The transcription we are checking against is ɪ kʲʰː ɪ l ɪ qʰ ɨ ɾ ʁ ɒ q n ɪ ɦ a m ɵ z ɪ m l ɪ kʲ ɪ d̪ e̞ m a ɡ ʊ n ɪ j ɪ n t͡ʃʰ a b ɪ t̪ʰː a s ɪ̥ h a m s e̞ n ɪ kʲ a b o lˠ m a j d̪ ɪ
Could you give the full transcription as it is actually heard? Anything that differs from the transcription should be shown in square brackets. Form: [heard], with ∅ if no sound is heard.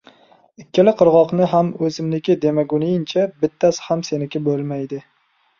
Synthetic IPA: ɪ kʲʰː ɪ l ɪ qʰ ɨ ɾ ʁ ɒ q n ɪ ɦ a m ɵ z ɪ m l ɪ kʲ ɪ d̪ e̞ m a ɡ ʊ n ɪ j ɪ n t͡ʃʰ a b ɪ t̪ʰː a s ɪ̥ h a m s e̞ n ɪ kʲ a b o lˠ m a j d̪ ɪ